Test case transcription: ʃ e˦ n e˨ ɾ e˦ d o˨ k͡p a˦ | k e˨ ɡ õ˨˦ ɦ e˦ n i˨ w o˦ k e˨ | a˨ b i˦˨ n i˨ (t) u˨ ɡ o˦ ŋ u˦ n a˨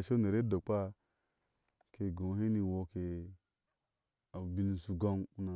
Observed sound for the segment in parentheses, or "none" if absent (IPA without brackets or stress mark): s